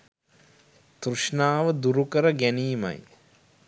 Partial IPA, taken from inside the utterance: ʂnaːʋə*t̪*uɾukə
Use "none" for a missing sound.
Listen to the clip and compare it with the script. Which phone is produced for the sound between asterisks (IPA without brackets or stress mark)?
d̪